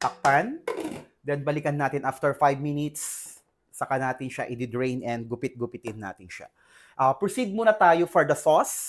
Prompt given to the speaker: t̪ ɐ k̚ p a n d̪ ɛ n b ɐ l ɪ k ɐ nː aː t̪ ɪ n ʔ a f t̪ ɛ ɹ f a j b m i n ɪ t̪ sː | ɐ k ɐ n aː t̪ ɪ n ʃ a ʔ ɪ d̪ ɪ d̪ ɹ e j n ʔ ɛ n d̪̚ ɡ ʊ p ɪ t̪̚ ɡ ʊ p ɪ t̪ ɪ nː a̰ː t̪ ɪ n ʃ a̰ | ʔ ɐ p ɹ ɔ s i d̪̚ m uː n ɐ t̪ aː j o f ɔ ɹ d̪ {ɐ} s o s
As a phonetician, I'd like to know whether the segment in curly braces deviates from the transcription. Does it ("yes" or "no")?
no